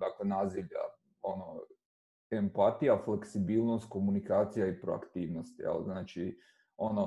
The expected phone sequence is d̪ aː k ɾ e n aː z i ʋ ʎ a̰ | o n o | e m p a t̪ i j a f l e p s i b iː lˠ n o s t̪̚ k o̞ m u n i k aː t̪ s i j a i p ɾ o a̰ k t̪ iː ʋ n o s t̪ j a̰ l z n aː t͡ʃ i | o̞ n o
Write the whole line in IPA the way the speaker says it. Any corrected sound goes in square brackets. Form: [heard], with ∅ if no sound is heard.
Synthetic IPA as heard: d̪ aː k [l] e n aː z i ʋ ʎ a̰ | o n o | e m p a t̪ i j a f l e [k] s i b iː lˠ n o s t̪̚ k o̞ m u n i k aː t̪ s i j a i p ɾ o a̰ k t̪ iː ʋ n o s t̪ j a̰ l z n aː t͡ʃ i | o̞ n o